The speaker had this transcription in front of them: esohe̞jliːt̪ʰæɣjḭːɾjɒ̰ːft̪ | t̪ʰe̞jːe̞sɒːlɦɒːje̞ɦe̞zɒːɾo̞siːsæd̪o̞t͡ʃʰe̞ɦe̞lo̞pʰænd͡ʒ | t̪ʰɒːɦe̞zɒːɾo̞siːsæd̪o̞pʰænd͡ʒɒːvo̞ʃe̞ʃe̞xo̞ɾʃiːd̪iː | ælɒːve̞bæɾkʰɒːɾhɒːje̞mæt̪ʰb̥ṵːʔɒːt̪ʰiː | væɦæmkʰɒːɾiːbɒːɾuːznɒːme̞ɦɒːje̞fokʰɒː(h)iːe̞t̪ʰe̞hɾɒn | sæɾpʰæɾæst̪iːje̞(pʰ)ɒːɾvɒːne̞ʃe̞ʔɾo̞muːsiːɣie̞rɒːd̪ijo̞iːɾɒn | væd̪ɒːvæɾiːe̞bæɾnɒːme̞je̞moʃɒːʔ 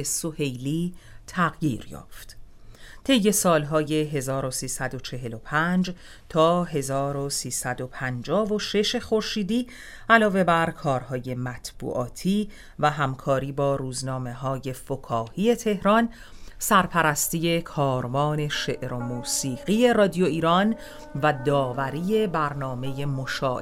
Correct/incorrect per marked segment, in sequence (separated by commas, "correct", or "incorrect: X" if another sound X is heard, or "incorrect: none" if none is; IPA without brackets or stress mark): correct, incorrect: kʰ